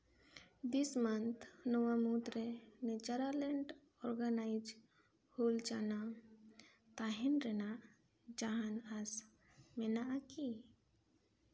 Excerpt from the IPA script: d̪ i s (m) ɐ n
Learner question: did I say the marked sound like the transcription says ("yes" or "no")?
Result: yes